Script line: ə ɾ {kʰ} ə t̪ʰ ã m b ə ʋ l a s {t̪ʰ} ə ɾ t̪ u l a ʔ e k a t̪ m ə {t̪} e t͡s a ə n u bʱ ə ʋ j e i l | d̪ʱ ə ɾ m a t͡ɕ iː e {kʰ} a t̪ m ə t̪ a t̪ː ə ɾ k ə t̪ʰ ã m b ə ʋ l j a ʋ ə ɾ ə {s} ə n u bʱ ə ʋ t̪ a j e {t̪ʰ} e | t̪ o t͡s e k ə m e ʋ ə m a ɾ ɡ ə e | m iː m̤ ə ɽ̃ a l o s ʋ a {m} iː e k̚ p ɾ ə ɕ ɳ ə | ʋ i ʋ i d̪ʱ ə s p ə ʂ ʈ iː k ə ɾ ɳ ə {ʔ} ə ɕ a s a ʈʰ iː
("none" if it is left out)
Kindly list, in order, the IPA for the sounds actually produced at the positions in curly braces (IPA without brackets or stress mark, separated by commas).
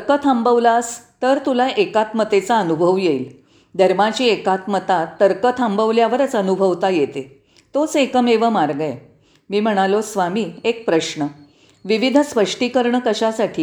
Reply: k, t̪, t̪, k, t͡s, t̪, m, k